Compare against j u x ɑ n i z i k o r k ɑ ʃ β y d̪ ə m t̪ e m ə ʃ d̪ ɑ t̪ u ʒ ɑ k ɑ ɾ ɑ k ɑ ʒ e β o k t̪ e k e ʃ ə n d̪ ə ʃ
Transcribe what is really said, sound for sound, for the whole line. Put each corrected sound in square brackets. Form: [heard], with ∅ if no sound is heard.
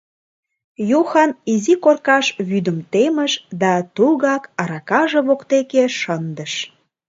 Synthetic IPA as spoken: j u x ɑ n i z i k o r k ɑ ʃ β y d̪ ə m t̪ e m ə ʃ d̪ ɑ t̪ u [ɣ] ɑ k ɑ ɾ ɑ k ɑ ʒ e β o k t̪ e k e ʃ ə n d̪ ə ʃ